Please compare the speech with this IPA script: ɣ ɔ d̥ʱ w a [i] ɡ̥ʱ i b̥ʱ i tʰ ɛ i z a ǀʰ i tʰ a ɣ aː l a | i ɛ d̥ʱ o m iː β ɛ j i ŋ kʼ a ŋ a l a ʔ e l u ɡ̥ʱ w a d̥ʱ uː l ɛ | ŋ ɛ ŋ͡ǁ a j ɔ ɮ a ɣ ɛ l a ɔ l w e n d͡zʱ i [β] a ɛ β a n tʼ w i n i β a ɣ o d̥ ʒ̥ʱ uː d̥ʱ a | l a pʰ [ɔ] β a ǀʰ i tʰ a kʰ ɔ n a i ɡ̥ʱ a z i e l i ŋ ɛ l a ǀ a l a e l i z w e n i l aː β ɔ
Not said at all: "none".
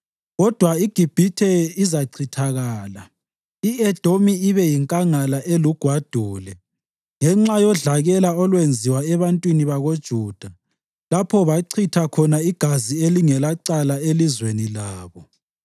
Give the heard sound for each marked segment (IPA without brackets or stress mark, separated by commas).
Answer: i, w, ɔ